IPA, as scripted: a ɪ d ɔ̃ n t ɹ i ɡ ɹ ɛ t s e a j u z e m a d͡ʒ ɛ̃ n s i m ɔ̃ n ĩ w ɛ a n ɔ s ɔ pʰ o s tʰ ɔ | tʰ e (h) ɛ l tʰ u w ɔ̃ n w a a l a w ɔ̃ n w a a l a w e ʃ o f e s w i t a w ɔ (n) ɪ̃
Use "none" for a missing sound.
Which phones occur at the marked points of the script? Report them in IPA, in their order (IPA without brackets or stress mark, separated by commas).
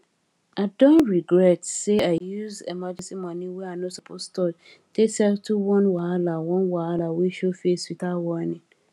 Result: s, n